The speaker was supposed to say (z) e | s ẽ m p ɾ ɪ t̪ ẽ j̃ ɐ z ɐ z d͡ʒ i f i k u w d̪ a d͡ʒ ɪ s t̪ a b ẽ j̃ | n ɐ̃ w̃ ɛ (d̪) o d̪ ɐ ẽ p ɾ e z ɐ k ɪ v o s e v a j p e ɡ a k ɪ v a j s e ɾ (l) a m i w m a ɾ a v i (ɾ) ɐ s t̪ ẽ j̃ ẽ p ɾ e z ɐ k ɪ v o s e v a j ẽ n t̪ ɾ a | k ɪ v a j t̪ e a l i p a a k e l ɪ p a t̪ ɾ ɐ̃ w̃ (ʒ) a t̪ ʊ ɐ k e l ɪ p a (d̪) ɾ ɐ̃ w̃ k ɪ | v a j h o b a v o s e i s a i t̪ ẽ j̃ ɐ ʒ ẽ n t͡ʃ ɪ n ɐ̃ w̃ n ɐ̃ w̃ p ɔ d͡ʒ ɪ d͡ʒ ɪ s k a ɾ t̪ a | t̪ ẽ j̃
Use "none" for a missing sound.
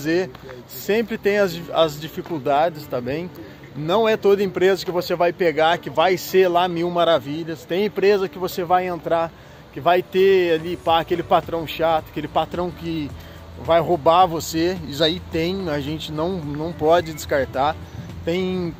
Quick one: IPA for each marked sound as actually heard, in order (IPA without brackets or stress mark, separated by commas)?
z, t̪, l, ʎ, ʃ, t̪